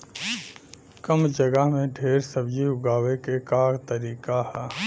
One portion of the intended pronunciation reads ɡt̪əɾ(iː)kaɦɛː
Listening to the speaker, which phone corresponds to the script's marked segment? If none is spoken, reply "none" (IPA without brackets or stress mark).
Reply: iː